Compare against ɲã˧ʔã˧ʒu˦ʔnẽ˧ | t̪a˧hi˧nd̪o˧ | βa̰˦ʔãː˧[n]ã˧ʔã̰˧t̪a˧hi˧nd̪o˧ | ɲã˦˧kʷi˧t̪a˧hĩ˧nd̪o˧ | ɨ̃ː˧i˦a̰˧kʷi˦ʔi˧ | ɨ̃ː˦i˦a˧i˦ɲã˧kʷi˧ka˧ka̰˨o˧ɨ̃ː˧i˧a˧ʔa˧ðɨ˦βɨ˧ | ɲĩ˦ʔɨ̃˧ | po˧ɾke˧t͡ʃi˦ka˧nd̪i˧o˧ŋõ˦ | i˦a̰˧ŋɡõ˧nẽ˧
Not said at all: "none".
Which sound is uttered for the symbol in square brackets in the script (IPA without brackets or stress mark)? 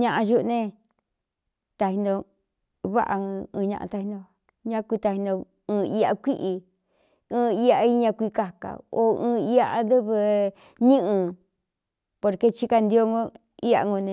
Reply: ɲ